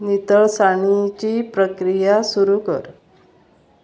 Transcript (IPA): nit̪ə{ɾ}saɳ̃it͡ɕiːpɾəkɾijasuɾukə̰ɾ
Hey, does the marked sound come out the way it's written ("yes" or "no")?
no